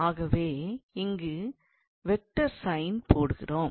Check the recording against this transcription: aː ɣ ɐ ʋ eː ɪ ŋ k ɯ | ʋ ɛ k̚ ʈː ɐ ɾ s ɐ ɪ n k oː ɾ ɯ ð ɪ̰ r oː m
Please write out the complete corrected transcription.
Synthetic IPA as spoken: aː ɣ ɐ ʋ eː ɪ ŋ ɡ ɯ | ʋ ɛ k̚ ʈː ɐ ɾ s ɐ ɪ n p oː ɽ ɯ ɣ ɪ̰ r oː m